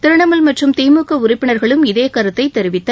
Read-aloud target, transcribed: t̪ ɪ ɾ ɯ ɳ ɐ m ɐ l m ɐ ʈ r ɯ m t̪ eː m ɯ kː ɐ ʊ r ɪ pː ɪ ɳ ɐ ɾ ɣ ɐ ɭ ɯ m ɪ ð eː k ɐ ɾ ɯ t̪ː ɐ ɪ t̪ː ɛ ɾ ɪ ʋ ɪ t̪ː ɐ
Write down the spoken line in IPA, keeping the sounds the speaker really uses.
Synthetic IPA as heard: t̪ ɪ ɾ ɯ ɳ ɐ m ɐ l m ɐ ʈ r ɯ m t̪ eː m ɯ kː ɐ ʊ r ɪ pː ɪ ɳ ɐ ɾ ɣ ɐ ɭ ɯ m ɪ ð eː k ɐ ɾ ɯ t̪ː ɐ ɪ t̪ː ɛ ɾ ɪ ʋ ɪ t̪ː ɐ